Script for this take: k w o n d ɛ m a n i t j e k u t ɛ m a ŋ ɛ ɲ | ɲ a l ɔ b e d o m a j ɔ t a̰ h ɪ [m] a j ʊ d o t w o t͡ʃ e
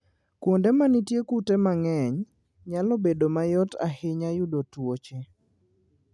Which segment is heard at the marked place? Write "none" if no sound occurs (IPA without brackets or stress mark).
ɲ